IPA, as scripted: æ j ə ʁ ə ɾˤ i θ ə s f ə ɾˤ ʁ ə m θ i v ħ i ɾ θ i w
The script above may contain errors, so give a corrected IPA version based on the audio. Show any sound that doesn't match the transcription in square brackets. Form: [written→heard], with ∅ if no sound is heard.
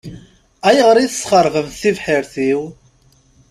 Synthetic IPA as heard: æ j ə ʁ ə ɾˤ i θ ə s [f→χ] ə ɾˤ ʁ ə m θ i v ħ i ɾ θ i w